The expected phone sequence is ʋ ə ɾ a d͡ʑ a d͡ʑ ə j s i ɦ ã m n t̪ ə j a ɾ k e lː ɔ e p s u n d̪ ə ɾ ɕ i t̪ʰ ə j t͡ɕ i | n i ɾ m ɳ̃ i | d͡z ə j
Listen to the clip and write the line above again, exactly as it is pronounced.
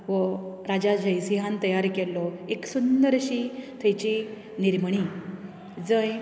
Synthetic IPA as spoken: ʋ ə ɾ a d͡ʑ a d͡ʑ ə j s i ɦ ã n t̪ ə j a ɾ k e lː ɔ e k s u n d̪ ə ɾ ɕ i t̪ʰ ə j t͡ɕ i | n i ɾ m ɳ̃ i | d͡z ə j